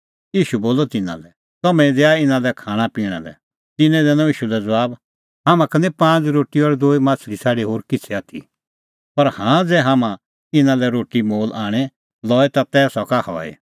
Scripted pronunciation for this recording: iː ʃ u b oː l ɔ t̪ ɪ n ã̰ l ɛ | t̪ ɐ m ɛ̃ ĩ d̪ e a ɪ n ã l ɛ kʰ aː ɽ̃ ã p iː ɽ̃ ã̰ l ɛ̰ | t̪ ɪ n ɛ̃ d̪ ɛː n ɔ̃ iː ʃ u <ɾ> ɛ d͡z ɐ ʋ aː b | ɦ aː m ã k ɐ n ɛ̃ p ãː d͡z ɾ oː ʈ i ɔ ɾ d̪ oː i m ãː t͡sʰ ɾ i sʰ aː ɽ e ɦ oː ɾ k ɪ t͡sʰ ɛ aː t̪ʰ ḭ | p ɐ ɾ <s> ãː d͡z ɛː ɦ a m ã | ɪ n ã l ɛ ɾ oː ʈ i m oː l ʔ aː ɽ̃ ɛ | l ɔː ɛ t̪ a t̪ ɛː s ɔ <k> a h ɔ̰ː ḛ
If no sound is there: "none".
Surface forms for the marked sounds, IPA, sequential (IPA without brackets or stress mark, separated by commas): l, h, k